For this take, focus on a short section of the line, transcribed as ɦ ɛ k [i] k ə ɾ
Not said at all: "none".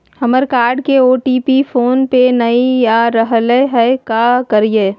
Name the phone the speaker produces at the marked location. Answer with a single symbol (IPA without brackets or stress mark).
a